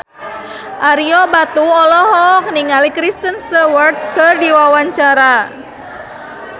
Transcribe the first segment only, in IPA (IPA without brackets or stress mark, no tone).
ʔ